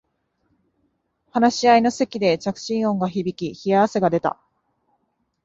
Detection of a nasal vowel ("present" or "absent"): present